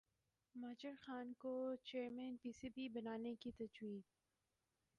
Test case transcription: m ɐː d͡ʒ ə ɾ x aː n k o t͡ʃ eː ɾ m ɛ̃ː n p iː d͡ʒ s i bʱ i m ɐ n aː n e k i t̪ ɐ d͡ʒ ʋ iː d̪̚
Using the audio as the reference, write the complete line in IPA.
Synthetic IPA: m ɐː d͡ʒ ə ɾ x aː n k o t͡ʃ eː ɾ m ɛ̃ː n p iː s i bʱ i b ɐ n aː n e k i t̪ ɐ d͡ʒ w iː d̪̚

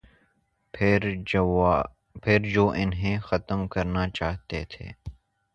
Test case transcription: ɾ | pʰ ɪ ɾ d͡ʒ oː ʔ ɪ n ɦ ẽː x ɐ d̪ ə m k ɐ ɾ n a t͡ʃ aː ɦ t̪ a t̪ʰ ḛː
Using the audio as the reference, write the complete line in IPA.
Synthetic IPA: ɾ | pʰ ɪ ɾ d͡ʒ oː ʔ ɪ n ɦ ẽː x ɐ t̪ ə m k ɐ ɾ n a t͡ʃ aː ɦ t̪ e t̪ʰ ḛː

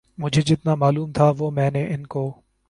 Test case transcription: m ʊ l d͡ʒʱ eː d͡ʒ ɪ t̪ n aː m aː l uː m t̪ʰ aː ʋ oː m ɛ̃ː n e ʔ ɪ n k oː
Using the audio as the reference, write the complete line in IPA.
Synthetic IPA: m ʊ d͡ʒʱ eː d͡ʒ ɪ t̪ n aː m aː l uː m t̪ʰ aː ʋ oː m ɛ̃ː n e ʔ ɪ n k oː

